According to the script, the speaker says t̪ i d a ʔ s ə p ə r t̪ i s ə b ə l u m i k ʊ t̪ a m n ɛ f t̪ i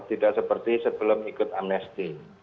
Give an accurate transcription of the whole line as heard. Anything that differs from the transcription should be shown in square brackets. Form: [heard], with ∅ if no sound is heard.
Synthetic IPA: t̪ i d a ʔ s ə p ə r t̪ i s ə b ə l [ʊ] m i k ʊ t̪ a m n ɛ [s] t̪ i